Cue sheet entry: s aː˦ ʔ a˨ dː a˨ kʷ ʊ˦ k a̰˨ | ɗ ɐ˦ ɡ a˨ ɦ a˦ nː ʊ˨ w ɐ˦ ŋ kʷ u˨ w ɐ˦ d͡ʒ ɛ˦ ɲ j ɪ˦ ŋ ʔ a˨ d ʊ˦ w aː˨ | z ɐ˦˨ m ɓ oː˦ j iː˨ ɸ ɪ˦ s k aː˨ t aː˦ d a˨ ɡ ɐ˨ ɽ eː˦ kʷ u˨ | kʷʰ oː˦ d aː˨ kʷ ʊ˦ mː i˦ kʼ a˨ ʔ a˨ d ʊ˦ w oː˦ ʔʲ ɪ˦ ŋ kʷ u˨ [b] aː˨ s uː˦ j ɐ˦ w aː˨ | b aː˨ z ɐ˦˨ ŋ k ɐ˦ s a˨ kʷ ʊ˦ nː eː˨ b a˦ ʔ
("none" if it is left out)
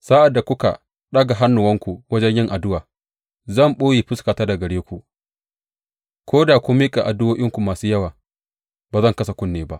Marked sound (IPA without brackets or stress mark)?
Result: m